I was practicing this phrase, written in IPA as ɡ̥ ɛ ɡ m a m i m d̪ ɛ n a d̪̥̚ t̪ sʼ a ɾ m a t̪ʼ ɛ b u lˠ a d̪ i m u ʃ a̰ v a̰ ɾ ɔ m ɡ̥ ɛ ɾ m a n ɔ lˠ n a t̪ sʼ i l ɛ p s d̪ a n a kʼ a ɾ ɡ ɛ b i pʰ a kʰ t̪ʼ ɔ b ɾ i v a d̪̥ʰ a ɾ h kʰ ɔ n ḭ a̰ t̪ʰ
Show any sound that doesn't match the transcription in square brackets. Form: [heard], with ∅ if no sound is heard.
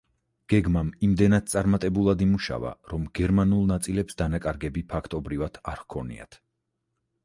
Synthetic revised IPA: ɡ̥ ɛ ɡ m a m i m d̪ ɛ n a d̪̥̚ t̪ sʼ a ɾ m a t̪ʼ ɛ b u lˠ a d̪ i m u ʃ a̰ v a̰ ɾ ɔ m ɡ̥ ɛ ɾ m a n [u] lˠ n a t̪ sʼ i l ɛ p s d̪ a n a kʼ a ɾ ɡ ɛ b i pʰ a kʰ t̪ʼ ɔ b ɾ i v a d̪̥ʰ a ɾ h kʰ ɔ n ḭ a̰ t̪ʰ